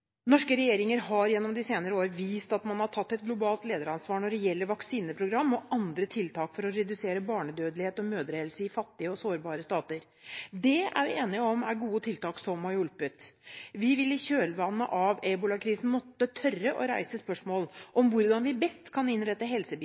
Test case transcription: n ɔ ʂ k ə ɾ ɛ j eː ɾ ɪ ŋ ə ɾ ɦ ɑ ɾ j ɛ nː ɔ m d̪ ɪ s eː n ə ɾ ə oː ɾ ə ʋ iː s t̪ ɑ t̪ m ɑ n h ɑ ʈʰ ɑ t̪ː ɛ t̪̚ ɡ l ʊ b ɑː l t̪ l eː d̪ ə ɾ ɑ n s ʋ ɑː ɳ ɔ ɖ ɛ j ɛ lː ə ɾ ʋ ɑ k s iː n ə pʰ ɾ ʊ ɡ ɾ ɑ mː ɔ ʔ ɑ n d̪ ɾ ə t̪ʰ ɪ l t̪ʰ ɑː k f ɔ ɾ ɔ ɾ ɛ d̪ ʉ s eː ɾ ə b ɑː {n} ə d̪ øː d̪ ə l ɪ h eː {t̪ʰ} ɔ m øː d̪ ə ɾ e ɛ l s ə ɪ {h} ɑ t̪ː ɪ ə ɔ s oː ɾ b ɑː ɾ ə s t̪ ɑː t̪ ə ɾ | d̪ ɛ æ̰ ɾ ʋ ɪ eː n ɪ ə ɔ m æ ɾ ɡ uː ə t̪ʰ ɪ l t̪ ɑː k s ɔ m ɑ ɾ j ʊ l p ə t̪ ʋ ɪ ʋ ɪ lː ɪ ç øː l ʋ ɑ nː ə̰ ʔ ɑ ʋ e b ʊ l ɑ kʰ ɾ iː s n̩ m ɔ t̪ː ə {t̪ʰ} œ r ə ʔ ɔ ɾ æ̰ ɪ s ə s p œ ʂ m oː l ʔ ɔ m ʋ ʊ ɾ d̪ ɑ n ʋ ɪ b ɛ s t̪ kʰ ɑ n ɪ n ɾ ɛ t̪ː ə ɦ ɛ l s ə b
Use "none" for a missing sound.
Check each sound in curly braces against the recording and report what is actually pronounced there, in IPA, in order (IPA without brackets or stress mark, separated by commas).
ɳ, t̪, f, t̪ʰ